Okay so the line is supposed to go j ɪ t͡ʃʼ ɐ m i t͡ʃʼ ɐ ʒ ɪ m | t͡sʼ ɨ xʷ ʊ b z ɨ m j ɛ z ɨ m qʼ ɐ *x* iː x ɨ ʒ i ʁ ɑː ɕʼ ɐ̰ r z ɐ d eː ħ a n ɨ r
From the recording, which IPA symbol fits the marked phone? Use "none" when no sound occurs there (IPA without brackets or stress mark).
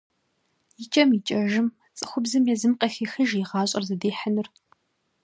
x